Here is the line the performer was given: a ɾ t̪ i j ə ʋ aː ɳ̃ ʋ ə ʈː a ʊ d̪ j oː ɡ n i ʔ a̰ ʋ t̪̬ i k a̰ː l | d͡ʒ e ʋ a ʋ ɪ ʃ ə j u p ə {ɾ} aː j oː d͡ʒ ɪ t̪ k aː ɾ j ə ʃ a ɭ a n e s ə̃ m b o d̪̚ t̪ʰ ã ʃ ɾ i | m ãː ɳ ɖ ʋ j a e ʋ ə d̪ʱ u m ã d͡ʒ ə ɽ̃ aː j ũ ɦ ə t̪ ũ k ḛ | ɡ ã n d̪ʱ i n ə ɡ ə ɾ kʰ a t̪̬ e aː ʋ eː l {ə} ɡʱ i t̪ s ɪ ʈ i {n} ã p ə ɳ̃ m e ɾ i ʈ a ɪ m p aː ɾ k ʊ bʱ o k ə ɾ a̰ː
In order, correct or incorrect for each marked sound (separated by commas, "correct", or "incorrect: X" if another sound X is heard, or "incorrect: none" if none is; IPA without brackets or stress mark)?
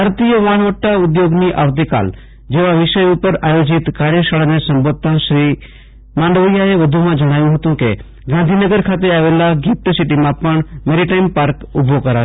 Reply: correct, incorrect: a, incorrect: m